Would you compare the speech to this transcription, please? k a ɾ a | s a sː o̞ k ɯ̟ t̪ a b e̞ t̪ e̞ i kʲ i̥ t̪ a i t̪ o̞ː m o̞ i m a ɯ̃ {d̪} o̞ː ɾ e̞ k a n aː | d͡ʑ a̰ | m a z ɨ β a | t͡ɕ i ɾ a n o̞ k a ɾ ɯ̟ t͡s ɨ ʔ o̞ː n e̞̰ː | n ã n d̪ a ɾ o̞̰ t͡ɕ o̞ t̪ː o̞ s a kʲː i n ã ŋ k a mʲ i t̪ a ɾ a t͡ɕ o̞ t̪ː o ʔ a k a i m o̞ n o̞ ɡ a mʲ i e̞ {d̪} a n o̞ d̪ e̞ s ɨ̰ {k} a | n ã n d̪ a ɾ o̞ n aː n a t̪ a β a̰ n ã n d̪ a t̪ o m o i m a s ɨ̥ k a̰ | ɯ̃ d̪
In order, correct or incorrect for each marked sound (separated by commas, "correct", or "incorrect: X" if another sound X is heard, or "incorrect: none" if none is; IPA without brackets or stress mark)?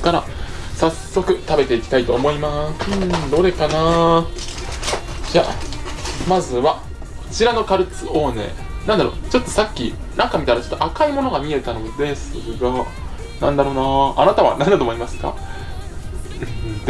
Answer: correct, incorrect: t̪, incorrect: ɡ